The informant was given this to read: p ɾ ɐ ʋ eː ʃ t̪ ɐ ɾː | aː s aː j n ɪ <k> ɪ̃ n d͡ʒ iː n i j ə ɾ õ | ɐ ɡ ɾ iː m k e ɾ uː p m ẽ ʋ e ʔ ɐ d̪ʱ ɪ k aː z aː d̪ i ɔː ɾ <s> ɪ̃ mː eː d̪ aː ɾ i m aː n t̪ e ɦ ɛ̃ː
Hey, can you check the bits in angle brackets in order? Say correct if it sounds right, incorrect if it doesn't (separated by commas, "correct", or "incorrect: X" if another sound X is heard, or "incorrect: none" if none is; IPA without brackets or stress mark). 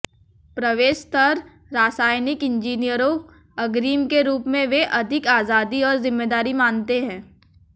correct, incorrect: z